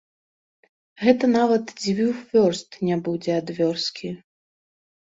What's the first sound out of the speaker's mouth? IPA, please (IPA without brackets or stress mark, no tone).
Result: ɣ